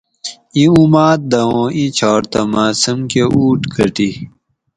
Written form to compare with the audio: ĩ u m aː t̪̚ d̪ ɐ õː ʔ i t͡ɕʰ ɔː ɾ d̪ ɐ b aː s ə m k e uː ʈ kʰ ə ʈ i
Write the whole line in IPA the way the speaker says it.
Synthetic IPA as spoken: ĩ u m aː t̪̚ d̪ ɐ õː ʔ i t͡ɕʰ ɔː ɾ t̪ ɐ m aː s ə m k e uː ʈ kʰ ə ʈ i